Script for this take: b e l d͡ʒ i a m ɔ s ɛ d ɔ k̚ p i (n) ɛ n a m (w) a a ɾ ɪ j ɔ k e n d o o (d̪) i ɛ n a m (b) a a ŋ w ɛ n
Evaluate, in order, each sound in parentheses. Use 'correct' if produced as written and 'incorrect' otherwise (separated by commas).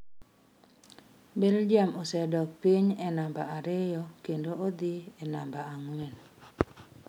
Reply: incorrect, incorrect, correct, correct